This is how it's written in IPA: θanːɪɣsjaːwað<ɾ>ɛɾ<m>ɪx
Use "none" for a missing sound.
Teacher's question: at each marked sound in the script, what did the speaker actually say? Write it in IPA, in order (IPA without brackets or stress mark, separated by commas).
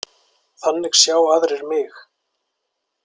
ɾ, m